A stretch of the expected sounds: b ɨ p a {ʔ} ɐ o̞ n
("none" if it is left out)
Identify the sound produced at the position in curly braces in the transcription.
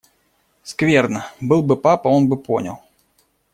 p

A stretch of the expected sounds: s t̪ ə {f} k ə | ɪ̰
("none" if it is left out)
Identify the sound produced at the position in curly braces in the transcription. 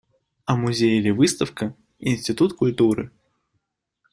f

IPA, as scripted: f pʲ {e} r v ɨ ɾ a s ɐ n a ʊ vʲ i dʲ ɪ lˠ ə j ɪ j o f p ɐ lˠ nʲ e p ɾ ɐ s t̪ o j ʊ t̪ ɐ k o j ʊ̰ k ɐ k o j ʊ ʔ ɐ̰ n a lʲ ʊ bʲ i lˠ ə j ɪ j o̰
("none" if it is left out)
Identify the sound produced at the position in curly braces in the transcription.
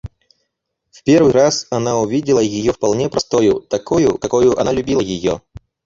e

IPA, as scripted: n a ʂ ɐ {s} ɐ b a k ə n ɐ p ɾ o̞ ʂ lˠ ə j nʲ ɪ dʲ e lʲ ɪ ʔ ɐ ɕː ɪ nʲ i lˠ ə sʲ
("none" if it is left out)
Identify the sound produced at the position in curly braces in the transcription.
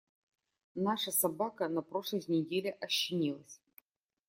s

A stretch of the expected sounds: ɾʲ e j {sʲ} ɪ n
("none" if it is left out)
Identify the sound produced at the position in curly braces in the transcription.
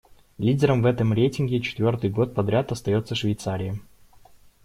tʲ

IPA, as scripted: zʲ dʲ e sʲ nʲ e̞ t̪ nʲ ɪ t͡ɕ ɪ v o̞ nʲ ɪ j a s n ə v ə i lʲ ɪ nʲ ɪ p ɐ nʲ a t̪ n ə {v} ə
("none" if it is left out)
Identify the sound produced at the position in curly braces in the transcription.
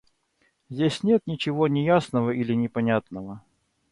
v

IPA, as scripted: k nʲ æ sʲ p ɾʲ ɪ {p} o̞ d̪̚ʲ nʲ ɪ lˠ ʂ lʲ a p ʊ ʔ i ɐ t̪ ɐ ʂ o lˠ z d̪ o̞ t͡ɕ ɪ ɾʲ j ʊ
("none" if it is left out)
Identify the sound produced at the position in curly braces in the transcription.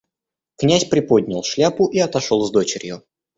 p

